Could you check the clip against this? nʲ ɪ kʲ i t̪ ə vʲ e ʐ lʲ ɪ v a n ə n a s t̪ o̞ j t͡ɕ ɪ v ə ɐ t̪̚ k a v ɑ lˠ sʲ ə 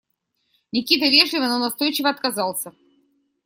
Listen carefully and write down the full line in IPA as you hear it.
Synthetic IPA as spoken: nʲ ɪ kʲ i t̪ ə vʲ e ʐ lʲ ɪ v ə n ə n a s t̪ o̞ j t͡ɕ ɪ v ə ɐ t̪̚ k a z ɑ lˠ sʲ ə